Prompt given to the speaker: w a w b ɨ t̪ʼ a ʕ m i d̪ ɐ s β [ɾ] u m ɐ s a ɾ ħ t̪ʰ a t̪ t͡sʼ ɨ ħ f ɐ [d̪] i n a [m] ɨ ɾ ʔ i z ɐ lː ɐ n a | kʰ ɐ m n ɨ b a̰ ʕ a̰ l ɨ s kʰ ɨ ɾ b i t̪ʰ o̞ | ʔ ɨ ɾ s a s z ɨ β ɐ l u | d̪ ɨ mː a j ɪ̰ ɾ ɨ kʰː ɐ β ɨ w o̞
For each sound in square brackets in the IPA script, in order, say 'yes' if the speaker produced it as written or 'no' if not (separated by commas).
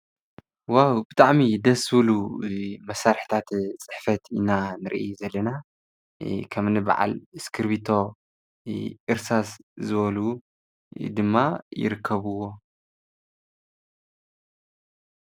no, no, no